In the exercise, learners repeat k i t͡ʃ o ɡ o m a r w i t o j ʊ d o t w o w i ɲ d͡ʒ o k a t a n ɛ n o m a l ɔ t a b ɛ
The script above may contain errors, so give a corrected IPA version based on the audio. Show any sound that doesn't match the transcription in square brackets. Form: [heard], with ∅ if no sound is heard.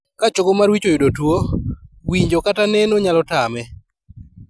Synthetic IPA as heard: k [a] t͡ʃ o ɡ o m a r w i [t͡ʃ] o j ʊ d o t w o w i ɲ d͡ʒ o k a t a n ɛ n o [ɲ] a l ɔ t a [m] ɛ